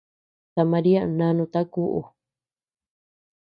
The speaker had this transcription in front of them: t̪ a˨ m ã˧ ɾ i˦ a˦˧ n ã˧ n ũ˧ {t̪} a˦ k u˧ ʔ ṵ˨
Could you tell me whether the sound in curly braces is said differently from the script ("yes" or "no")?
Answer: no